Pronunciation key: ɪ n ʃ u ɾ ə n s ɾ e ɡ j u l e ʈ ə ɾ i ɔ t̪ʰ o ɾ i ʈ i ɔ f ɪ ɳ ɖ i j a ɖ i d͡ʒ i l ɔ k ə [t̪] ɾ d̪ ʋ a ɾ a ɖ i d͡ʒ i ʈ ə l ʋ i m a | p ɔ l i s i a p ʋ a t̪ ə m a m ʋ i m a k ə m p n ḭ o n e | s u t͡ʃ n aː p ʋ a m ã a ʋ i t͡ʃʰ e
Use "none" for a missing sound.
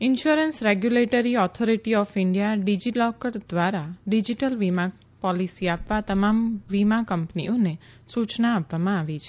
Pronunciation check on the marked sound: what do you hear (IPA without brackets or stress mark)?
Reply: none